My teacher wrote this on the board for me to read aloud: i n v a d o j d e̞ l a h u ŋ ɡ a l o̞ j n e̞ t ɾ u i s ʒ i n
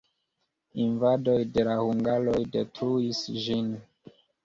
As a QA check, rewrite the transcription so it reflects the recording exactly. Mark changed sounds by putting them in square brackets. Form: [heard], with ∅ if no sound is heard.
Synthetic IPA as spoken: i n v a d o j d e̞ l a h u ŋ ɡ a l o̞ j [d] e̞ t ɾ u i s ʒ i n